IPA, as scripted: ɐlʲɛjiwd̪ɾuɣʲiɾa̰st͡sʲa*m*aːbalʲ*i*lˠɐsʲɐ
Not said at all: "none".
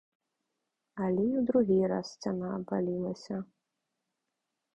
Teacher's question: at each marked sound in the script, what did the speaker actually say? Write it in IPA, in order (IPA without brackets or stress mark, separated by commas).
n, i